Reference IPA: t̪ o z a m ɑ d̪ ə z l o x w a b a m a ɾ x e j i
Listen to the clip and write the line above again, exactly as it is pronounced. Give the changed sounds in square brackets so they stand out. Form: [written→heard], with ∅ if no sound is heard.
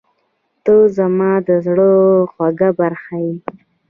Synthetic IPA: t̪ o z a m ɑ d̪ ə z [l→ɽ] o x w a [b→ɡ] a [m→b] a ɾ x [e→a] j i